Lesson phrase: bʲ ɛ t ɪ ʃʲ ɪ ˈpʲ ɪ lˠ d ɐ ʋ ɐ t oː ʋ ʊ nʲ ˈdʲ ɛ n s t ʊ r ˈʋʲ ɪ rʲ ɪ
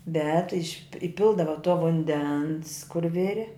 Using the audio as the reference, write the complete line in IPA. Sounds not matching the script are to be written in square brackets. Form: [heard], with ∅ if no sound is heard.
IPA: bʲ ɛ t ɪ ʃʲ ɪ ˈpʲ ɪ lˠ d ɐ ʋ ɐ t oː ʋ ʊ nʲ ˈdʲ ɛ n s [k] ʊ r ˈʋʲ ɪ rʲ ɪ